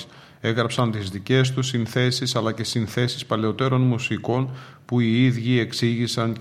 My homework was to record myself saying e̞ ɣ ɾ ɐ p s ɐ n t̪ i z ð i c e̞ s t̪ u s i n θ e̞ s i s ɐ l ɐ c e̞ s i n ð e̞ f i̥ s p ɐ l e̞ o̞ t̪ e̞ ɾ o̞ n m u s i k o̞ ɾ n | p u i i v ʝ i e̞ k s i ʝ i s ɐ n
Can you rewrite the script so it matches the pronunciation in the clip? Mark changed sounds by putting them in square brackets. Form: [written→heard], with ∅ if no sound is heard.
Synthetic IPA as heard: e̞ ɣ ɾ ɐ p s ɐ n t̪ i z ð i c e̞ s t̪ u s i n θ e̞ s i s ɐ l ɐ c e̞ s i n [ð→θ] e̞ [f→s] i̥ s p ɐ l e̞ o̞ t̪ e̞ ɾ o̞ n m u s i k o̞ [ɾ→∅] n | p u i i [v→ð] ʝ i e̞ k s i ʝ i s ɐ n